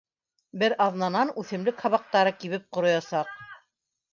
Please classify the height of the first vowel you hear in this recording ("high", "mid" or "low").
mid